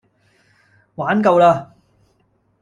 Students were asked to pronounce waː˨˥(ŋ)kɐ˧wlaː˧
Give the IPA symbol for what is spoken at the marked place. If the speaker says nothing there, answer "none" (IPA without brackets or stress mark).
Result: n